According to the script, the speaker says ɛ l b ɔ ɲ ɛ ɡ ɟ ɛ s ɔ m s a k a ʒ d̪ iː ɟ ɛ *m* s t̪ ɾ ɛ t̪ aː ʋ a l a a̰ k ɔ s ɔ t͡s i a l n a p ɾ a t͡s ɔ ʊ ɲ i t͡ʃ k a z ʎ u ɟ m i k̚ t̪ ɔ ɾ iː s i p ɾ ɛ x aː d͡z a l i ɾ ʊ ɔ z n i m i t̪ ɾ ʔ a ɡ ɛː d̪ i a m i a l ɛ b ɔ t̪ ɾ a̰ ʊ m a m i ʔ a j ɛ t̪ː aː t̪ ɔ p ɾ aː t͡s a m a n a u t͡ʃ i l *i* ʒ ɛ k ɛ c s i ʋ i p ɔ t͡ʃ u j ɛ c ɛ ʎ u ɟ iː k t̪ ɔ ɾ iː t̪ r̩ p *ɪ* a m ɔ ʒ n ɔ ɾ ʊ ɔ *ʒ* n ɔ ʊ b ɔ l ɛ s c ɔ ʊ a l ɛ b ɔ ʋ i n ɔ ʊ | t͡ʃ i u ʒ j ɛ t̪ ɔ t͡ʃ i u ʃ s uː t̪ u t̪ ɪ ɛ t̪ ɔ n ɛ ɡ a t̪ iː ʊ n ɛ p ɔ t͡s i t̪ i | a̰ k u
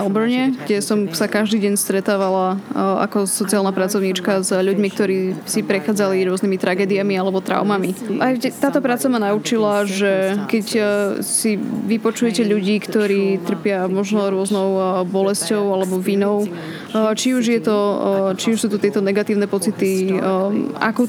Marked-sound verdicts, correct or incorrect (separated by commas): incorrect, incorrect, correct, incorrect